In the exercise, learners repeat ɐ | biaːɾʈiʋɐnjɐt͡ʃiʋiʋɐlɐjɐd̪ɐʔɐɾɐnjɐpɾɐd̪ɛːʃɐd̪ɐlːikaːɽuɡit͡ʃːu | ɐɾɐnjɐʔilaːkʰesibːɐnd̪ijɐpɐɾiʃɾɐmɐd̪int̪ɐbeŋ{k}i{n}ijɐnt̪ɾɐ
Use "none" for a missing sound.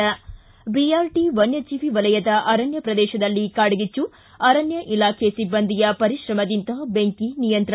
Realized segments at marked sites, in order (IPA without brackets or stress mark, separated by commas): k, n